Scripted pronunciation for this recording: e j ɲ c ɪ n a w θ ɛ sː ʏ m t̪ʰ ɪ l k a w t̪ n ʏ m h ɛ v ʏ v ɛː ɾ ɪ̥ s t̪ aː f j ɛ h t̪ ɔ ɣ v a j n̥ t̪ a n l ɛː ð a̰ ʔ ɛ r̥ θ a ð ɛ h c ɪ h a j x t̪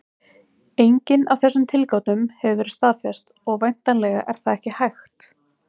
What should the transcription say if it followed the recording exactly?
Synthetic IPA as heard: e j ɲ c ɪ n a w θ ɛ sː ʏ m t̪ʰ ɪ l k a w t̪ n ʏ m h ɛ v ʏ v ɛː ɾ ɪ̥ s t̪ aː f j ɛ s t̪ ɔ ɣ v a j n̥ t̪ a n l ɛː ɣ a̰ ʔ ɛ ɾ̥ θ a ð ɛ h c ɪ h a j x t̪